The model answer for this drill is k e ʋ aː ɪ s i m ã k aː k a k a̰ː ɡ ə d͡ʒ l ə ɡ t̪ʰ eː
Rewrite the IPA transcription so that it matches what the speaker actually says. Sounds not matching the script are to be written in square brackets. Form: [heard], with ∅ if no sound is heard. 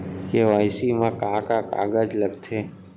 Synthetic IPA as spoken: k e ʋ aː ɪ s i m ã k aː k a k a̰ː ɡ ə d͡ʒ l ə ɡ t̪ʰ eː